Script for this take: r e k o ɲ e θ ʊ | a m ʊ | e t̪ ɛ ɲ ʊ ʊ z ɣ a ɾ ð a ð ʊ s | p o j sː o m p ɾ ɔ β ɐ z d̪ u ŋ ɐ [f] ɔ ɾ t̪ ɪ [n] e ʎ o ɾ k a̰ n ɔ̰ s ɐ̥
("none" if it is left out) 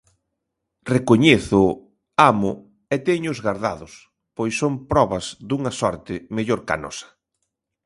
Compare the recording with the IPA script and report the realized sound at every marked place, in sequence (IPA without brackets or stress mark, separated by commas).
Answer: s, m